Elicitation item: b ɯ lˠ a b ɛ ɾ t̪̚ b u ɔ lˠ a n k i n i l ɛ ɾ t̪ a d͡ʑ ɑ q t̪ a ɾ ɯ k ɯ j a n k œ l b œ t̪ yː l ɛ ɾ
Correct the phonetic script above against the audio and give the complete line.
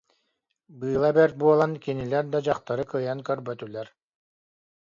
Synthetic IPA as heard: b ɯː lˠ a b ɛ ɾ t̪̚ b u ɔ lˠ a n k i n i l ɛ ɾ d̪ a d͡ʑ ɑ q t̪ a ɾ ɯ k ɯ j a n k œ ɾ b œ t̪ y l ɛ ɾ